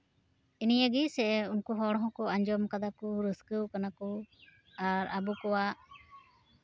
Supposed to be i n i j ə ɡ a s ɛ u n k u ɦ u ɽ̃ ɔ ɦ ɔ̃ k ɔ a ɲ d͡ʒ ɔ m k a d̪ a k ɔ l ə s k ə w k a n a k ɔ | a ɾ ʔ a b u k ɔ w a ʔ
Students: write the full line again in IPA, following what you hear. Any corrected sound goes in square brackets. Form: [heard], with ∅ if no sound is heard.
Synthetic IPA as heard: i n i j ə ɡ [i] s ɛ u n k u ɦ [ɔ] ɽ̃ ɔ ɦ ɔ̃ k ɔ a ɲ d͡ʒ ɔ m k a d̪ a k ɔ [ɾ] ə s k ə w k a n a k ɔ | a ɾ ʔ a b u k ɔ w a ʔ